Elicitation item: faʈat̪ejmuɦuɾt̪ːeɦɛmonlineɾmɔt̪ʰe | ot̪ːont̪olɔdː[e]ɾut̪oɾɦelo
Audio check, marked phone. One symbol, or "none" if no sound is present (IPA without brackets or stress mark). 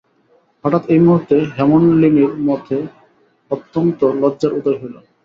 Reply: a